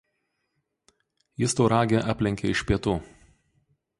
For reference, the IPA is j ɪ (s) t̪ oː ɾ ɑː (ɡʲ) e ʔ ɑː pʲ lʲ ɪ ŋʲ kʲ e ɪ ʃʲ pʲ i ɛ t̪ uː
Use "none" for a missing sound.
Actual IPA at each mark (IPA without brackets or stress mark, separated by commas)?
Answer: s, ɡʲ